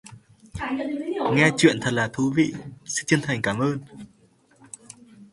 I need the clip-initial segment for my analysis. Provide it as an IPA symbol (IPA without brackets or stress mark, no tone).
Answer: ŋ